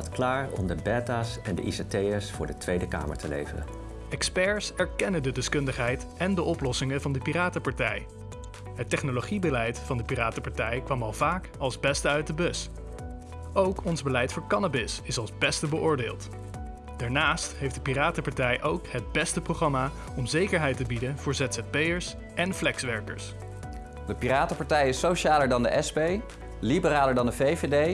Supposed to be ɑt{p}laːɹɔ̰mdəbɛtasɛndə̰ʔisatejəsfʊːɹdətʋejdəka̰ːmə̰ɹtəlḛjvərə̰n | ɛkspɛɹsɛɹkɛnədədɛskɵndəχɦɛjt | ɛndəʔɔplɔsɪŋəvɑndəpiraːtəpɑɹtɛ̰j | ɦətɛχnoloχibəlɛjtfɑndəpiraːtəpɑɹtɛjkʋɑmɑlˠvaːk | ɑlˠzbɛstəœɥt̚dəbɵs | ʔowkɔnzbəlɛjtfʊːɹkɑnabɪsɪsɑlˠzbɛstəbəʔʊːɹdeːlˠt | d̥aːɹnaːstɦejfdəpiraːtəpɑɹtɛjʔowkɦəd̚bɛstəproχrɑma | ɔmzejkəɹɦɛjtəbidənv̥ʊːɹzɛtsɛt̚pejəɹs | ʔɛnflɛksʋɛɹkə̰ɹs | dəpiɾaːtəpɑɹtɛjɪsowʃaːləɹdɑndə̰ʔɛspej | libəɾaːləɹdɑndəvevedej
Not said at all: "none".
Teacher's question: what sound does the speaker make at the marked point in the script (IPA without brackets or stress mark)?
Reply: k